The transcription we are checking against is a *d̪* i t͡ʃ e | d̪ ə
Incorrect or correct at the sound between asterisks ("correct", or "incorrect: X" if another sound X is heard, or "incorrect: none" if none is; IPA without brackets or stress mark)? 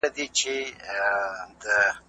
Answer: correct